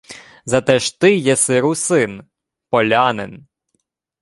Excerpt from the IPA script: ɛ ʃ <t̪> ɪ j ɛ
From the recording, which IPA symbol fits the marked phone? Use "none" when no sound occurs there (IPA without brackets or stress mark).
t̪